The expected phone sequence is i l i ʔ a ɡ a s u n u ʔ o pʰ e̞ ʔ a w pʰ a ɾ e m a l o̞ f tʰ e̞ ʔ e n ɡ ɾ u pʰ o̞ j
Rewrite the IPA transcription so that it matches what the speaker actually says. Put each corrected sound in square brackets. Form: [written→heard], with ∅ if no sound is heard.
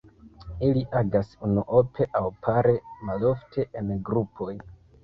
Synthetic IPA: i l i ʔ a ɡ a s u n u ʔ o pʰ e̞ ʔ a w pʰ a ɾ e m a l o̞ f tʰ e̞ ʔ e n ɡ ɾ u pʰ o̞ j